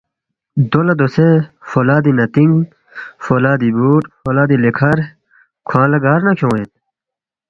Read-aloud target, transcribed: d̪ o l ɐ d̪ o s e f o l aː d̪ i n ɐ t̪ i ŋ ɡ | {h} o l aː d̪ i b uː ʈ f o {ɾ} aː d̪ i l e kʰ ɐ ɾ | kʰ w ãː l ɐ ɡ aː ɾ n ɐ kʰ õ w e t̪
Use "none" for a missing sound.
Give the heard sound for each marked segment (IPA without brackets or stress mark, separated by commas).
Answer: f, l